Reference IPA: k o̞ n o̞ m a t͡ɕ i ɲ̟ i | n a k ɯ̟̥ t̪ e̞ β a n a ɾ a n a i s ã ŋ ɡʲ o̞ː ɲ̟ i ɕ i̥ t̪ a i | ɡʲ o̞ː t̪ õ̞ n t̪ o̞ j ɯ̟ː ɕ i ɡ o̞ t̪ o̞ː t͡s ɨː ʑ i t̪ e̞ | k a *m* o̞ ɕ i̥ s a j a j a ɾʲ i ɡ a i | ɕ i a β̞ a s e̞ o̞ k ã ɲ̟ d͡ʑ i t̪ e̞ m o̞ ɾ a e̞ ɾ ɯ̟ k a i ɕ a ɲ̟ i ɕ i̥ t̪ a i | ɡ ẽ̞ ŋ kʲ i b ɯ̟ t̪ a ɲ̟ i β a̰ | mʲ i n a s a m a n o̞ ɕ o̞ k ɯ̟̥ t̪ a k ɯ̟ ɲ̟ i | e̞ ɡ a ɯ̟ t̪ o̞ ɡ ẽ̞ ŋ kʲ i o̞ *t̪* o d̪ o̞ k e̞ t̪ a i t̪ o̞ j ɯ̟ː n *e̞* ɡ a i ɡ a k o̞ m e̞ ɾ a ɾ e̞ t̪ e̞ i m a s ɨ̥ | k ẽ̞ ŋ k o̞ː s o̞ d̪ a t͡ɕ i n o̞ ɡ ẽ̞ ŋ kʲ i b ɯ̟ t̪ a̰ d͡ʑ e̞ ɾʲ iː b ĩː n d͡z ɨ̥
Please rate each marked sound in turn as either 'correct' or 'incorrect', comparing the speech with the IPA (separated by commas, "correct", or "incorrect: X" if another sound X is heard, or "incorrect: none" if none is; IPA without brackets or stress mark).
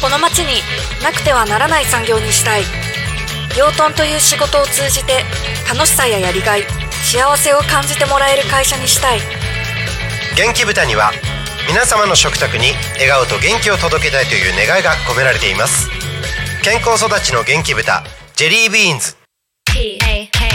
incorrect: n, correct, correct